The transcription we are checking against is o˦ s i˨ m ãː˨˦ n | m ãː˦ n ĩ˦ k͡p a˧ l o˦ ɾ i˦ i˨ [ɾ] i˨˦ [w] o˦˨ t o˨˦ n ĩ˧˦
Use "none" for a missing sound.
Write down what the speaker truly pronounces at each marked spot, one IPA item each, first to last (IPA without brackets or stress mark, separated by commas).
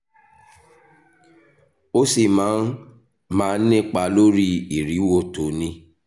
ɾ, w